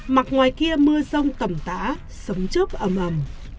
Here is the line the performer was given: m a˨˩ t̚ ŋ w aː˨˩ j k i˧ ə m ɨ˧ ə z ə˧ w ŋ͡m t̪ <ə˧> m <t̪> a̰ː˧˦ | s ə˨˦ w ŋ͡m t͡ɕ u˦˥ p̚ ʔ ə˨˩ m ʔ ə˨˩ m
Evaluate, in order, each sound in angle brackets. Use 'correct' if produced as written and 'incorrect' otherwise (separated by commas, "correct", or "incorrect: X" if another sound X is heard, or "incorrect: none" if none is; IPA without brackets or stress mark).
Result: incorrect: ə˨˩, correct